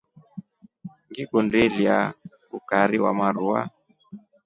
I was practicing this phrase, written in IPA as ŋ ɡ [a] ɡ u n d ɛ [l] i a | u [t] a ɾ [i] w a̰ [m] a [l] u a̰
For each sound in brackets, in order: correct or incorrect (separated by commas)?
incorrect, correct, incorrect, correct, correct, incorrect